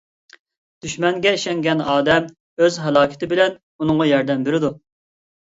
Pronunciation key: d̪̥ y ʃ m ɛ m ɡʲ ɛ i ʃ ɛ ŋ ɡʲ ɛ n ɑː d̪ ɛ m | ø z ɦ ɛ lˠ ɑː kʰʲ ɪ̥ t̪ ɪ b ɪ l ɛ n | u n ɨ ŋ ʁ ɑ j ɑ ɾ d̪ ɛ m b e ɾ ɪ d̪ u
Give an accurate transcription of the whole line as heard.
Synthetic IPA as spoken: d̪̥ y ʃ m ɛ ŋ ɡʲ ɛ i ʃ ɛ ŋ ɡʲ ɛ n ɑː d̪ ɛ m | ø z ɦ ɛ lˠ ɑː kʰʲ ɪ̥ t̪ ɪ b ɪ l ɛ n | u n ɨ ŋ ʁ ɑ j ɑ ɾ d̪ ɛ m b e ɾ ɪ d̪ u